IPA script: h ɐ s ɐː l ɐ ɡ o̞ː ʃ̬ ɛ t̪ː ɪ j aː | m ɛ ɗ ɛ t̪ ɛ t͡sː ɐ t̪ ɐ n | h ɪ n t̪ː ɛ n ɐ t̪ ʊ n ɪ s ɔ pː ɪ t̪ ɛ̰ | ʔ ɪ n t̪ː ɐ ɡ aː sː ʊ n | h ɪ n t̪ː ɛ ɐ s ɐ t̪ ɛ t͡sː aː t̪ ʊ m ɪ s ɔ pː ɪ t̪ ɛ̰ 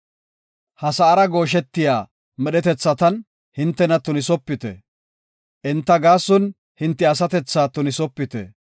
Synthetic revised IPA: h ɐ s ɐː ɾ ɐ ɡ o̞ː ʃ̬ ɛ t̪ː ɪ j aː | m ɛ ɗ ɛ t̪ ɛ t͡sː ɐ t̪ ɐ n | h ɪ n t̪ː ɛ n ɐ t̪ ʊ n ɪ s ɔ pː ɪ t̪ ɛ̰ | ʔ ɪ n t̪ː ɐ ɡ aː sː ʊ n | h ɪ n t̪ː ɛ ɐ s ɐ t̪ ɛ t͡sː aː t̪ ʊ n ɪ s ɔ pː ɪ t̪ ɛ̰